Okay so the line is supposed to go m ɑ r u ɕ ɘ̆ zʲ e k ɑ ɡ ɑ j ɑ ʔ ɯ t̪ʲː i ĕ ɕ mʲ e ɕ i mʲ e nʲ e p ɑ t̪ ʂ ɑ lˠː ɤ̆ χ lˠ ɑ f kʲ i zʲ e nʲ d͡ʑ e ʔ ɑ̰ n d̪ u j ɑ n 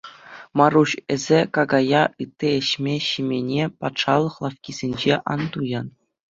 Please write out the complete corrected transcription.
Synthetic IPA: m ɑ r u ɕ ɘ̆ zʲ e k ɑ ɡ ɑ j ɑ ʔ ɯ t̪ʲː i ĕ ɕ mʲ e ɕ i mʲ e nʲ e p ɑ t̪ ʂ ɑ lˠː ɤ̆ χ lˠ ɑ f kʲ i zʲ e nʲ d͡ʑ e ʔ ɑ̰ n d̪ u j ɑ n